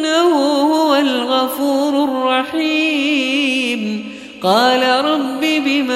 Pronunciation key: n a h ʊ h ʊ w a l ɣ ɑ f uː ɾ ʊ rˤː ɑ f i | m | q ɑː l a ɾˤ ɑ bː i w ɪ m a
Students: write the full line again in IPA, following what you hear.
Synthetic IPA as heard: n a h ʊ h ʊ w a l ɣ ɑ f uː ɾ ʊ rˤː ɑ ħ i | m | q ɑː l a ɾˤ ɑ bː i b ɪ m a